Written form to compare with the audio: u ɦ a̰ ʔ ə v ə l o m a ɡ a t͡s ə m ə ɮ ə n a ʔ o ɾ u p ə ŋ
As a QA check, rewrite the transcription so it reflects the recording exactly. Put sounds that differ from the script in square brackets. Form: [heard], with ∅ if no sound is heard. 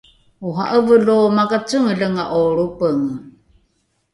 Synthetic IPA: u ɦ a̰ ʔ ə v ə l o m a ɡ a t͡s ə [ŋ] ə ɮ ə [ŋ] a ʔ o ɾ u p ə ŋ

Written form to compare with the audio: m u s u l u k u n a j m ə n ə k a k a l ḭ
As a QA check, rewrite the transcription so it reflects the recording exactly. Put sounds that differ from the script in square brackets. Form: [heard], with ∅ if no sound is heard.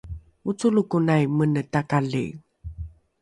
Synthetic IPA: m u [t͡s] u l u k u n a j m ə n ə [t] a k a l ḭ

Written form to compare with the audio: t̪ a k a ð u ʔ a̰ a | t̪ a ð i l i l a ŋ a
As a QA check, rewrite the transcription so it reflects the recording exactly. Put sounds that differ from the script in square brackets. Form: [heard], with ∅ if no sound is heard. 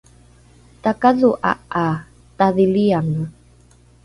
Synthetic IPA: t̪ a k a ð u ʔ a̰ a | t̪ a ð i l i [∅] a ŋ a

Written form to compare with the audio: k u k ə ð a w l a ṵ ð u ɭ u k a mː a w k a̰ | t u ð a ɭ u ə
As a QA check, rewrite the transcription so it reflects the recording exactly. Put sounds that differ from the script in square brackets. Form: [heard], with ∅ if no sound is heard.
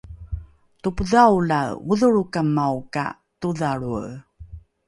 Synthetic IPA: [t] u [p] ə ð a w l a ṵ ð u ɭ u k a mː a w k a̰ | t u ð a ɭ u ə

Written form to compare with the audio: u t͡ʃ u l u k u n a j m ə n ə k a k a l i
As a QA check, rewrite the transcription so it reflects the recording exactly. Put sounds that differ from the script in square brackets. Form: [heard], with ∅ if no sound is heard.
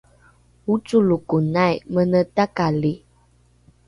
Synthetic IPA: u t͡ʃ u l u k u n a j m ə n ə [t] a k a l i

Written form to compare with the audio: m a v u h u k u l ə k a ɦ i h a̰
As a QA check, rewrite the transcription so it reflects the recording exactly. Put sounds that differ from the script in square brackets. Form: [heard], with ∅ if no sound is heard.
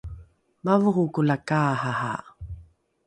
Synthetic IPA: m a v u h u k u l [a] k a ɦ [a] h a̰

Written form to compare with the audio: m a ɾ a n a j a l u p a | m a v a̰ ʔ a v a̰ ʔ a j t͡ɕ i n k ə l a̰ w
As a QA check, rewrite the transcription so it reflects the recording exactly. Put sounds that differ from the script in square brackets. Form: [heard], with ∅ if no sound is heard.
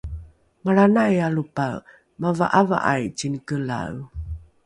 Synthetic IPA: m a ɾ a n a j a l u p a | m a v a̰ ʔ a v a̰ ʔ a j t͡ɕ i n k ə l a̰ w

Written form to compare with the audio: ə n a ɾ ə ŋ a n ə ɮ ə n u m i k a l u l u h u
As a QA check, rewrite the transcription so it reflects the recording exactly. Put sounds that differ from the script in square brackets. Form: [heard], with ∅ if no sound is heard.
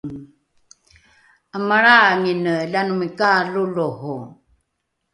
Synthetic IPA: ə [m] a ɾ [a] ŋ [i] n ə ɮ [a] n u m i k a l u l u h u

